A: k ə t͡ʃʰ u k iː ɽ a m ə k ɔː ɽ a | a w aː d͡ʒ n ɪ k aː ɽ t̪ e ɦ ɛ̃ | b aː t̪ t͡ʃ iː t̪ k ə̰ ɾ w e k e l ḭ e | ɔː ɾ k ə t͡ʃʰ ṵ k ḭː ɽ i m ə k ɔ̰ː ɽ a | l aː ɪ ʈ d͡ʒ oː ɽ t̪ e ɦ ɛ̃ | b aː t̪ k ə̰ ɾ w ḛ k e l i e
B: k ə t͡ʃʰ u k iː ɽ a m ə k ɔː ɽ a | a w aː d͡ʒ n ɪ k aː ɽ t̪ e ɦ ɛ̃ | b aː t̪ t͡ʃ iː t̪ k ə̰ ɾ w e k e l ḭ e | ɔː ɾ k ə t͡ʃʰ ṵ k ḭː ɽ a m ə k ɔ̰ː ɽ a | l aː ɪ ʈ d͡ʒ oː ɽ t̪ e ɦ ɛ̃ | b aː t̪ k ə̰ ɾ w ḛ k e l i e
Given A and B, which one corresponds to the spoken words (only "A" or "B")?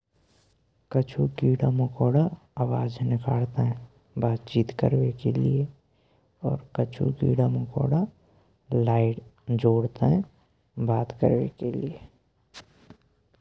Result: B